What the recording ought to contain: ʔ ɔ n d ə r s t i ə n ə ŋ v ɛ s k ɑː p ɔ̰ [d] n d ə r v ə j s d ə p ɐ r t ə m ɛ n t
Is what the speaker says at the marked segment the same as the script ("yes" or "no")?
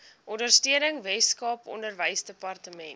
no